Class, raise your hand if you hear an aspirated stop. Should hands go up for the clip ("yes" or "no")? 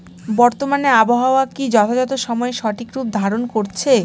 yes